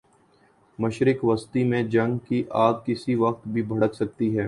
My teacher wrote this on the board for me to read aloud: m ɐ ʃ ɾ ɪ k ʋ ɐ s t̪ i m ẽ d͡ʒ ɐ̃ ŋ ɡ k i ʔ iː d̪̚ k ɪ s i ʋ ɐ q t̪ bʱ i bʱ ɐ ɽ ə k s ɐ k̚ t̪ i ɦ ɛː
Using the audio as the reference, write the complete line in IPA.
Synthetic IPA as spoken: m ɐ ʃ ɾ ɪ k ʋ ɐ s t̪ i m ẽ d͡ʒ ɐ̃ ŋ ɡ k i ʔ aː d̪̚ k ɪ s i ʋ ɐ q t̪ bʱ i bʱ ɐ ɽ ə k s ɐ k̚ t̪ i ɦ ɛː